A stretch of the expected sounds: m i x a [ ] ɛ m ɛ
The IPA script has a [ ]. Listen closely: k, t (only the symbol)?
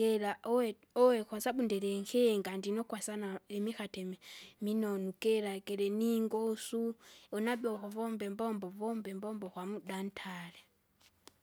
t